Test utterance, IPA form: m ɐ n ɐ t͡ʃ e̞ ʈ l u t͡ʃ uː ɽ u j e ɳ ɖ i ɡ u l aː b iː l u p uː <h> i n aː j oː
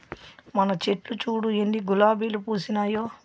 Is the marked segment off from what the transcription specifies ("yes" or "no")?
yes